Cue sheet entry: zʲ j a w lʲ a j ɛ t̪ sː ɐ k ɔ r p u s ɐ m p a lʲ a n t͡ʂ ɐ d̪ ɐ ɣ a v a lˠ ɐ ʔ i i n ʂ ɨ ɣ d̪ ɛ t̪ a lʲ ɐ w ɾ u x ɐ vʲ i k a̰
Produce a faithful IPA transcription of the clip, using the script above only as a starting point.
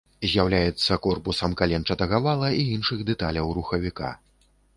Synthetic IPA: zʲ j a w lʲ a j ɛ t̪ sː ɐ k ɔ r p u s ɐ m k a lʲ ɛ n t͡ʂ ɐ t̪ ɐ ɣ a v a lˠ ɐ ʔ i i n ʂ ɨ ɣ d̪ ɛ t̪ a lʲ ɐ w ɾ u x ɐ vʲ i k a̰